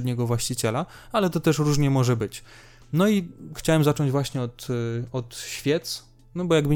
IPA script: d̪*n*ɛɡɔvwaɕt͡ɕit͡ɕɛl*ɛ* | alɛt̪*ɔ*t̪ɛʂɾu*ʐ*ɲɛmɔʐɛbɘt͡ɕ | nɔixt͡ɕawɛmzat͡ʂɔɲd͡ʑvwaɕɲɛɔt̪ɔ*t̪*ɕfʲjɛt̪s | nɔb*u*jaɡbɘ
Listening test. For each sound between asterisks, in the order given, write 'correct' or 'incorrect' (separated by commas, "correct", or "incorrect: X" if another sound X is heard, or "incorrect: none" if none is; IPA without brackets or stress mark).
incorrect: ɲ, incorrect: a, correct, correct, correct, incorrect: ɔ